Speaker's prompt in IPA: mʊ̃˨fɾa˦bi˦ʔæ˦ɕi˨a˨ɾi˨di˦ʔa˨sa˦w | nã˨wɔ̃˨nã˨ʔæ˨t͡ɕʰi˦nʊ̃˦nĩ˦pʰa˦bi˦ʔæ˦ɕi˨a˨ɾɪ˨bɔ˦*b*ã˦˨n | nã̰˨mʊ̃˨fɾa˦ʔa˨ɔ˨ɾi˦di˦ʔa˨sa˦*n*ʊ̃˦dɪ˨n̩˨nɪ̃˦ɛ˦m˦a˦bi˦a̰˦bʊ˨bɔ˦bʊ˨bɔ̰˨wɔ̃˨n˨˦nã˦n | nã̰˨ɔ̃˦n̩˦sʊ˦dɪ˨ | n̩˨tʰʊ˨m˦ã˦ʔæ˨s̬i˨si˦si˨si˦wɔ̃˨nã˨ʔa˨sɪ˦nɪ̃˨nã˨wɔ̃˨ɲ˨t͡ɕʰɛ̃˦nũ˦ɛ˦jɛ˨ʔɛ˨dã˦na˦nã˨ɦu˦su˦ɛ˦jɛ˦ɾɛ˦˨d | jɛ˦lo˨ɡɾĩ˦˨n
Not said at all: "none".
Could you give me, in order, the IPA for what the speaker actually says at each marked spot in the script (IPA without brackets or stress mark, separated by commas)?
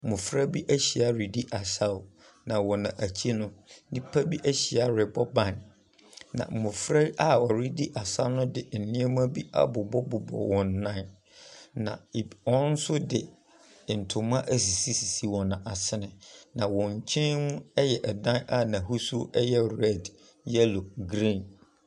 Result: b, n